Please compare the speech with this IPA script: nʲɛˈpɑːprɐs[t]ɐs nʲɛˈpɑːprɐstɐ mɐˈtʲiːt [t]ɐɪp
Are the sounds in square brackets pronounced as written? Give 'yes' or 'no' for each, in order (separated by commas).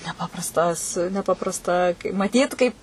yes, no